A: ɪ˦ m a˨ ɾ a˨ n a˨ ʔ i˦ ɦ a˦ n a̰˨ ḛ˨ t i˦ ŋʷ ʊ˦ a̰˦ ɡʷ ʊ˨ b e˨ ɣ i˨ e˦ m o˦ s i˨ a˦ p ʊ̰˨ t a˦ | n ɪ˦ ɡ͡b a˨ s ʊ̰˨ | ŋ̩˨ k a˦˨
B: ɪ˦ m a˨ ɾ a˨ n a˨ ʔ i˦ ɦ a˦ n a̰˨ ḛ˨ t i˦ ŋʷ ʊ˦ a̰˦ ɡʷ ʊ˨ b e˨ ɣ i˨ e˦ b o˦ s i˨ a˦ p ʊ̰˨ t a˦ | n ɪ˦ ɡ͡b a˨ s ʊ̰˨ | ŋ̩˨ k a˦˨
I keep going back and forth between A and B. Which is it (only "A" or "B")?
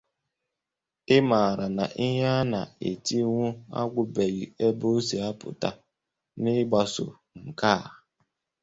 B